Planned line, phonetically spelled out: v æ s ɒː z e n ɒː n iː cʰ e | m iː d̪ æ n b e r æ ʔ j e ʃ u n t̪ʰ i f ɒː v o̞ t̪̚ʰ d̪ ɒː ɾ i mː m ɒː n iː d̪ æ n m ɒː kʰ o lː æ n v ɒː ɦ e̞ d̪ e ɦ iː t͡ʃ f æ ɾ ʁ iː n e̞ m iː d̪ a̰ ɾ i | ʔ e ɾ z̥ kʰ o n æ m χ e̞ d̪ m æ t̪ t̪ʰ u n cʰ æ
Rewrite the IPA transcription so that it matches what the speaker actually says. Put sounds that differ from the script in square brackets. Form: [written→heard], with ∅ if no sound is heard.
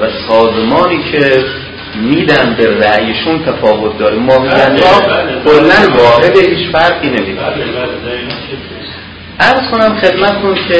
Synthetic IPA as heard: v æ s ɒː z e [n→m] ɒː n iː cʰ e | m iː d̪ æ n b e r æ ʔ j e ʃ u n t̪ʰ [i→æ] f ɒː v o̞ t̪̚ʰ d̪ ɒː ɾ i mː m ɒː [n→m] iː d̪ æ n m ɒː kʰ o lː æ n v ɒː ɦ e̞ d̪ e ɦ iː t͡ʃ f æ ɾ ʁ iː n e̞ m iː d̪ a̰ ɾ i | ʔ [e→æ] ɾ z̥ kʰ o n æ m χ e̞ d̪ m æ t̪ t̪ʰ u n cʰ [æ→e]